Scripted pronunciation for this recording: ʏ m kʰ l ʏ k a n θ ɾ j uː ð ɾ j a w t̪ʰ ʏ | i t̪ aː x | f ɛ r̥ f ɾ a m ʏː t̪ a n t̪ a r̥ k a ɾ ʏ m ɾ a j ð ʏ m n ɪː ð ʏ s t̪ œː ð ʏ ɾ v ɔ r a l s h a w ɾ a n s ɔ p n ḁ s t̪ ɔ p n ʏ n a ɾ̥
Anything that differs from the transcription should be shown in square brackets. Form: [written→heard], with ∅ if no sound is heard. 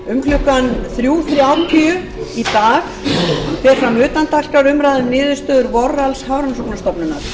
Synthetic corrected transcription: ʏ m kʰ l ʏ k a n θ ɾ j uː [ð→θ] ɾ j a w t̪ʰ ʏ | i t̪ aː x | f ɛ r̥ f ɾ a m ʏː t̪ a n t̪ a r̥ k a ɾ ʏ m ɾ a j ð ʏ m n ɪː ð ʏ s t̪ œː ð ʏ ɾ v ɔ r a l s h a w ɾ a n s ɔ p n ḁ s t̪ ɔ p n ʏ n a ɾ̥